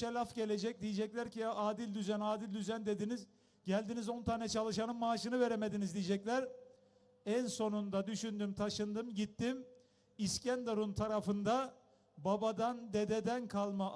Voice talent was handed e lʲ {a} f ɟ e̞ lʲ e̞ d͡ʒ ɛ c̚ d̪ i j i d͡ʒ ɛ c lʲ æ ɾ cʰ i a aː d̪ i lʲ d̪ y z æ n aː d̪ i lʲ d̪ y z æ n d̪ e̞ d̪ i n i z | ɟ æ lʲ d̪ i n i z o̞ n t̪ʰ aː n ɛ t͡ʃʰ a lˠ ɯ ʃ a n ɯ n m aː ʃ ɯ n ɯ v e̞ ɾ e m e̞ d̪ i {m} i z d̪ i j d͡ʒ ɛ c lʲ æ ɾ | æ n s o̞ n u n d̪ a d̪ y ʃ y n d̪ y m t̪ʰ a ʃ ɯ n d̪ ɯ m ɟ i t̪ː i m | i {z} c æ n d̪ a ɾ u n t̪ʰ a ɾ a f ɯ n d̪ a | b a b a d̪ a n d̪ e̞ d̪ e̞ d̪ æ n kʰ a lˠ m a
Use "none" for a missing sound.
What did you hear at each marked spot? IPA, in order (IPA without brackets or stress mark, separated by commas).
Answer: a, n, s